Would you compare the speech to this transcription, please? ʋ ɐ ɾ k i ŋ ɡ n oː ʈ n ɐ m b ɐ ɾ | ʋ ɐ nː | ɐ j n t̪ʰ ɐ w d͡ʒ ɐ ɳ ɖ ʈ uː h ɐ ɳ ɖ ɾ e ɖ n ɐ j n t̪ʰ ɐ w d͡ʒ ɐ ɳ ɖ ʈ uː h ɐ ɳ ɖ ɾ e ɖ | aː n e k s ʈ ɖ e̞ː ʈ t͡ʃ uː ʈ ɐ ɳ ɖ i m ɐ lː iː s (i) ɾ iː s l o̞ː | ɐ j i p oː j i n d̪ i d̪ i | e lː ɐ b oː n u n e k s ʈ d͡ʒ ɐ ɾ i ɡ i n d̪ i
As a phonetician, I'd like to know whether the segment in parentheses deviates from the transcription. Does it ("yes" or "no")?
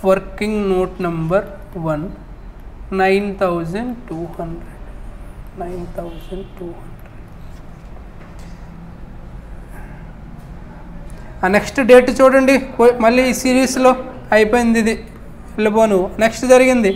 yes